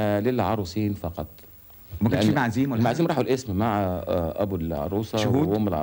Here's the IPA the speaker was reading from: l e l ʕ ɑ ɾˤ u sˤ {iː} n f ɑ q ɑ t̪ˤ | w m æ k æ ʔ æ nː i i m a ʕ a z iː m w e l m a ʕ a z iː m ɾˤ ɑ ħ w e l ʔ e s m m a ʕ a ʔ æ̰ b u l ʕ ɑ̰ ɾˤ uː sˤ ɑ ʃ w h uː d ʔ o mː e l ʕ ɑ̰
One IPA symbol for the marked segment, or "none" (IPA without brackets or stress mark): iː